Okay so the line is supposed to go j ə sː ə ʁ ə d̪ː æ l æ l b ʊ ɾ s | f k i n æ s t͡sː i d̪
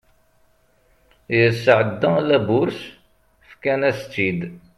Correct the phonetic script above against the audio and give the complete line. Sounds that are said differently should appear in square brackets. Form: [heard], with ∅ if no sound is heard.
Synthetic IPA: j ə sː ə [ʕ] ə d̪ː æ l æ [∅] b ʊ ɾ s | f k [æ] n æ s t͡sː i d̪